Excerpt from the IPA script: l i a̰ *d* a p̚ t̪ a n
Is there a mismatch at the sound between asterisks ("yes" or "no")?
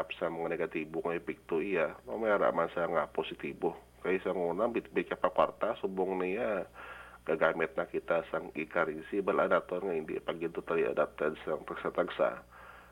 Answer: no